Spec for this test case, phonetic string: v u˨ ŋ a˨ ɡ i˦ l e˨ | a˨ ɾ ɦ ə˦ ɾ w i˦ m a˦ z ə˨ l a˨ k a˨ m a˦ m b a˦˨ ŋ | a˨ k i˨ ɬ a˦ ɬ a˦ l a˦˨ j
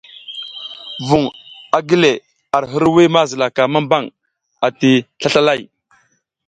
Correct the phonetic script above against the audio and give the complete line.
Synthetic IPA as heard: v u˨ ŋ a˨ ɡ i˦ l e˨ | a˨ ɾ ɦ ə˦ ɾ w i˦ m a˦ z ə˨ l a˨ k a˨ m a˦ m b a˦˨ ŋ | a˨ t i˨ ɬ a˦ ɬ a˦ l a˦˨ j